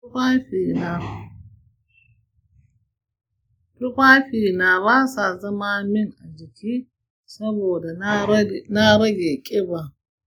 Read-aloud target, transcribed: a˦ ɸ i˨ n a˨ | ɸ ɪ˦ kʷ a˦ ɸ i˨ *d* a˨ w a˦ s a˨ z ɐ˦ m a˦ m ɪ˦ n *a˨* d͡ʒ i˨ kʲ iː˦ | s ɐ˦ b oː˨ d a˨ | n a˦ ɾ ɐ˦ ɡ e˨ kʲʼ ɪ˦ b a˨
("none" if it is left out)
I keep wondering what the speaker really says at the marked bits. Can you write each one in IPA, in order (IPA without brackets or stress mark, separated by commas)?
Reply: n, a˨